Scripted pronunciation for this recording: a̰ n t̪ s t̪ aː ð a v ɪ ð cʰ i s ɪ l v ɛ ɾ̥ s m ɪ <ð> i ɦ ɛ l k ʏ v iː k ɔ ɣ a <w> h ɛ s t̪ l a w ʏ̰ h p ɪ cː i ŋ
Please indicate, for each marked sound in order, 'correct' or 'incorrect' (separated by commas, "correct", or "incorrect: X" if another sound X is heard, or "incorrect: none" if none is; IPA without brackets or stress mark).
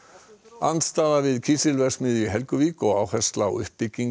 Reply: correct, correct